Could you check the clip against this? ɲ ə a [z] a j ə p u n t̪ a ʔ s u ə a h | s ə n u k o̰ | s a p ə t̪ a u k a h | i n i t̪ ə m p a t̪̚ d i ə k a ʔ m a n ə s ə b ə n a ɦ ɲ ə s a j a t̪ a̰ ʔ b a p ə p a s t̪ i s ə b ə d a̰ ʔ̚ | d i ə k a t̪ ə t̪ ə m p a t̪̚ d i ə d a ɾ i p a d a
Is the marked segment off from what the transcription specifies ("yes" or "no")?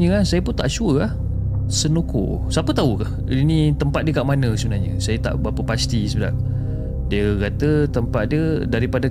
yes